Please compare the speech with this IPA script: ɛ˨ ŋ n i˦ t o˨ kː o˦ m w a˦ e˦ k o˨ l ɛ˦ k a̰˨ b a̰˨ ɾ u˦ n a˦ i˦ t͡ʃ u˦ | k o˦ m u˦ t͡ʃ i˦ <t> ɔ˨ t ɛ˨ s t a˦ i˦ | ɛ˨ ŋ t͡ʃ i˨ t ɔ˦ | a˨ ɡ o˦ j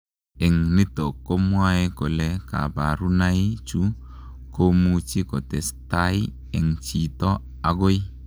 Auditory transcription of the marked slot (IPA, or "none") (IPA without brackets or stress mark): k